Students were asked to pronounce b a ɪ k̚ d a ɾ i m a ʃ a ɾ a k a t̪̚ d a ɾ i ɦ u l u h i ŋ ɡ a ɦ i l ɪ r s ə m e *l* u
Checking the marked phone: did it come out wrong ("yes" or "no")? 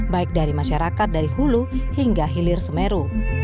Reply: yes